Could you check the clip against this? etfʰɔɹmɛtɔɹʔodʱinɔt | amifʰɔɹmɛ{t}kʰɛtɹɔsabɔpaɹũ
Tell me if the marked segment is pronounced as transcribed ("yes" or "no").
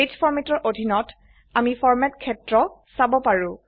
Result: yes